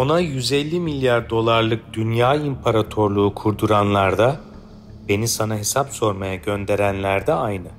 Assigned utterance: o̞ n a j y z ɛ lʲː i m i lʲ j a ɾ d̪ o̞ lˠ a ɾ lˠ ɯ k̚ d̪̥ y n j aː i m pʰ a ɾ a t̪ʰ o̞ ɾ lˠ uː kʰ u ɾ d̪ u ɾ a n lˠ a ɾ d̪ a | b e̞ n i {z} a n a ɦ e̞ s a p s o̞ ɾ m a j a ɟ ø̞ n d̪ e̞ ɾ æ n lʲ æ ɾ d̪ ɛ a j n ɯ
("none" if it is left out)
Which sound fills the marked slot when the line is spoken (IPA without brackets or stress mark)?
s